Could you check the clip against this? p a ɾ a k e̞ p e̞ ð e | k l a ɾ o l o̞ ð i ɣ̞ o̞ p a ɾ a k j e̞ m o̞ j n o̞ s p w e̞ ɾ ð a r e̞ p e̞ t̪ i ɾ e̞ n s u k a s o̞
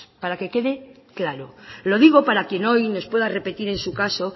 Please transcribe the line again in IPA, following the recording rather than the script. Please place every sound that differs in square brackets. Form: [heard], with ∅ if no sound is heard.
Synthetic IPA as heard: p a ɾ a k e̞ [k] e̞ ð e | k l a ɾ o l o̞ ð i ɣ̞ o̞ p a ɾ a k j e̞ [n] o̞ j n o̞ s p w e̞ [∅] ð a r e̞ p e̞ t̪ i ɾ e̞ n s u k a s o̞